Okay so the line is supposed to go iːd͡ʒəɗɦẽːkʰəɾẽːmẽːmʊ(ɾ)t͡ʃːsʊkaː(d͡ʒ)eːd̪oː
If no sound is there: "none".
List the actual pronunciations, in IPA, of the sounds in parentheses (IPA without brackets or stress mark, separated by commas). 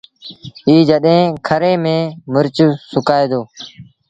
ɾ, none